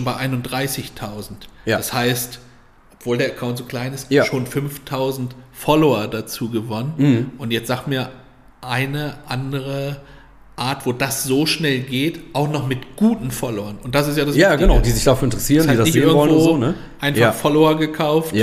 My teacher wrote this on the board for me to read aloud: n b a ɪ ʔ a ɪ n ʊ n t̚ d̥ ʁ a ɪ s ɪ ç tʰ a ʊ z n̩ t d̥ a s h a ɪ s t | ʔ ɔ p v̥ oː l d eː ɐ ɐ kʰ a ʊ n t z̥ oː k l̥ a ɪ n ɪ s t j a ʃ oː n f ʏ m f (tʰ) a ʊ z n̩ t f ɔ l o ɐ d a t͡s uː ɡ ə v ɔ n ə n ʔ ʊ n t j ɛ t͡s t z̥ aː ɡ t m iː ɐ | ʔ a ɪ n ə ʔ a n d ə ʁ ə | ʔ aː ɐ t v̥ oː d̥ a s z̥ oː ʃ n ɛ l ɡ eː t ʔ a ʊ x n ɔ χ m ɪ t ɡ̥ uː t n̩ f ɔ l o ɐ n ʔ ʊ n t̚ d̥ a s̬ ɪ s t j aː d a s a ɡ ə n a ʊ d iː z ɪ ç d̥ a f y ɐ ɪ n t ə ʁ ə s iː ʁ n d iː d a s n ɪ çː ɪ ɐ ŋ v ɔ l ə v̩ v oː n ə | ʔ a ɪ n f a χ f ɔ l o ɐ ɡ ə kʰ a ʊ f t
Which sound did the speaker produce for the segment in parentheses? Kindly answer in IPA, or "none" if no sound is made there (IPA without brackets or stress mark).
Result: tʰ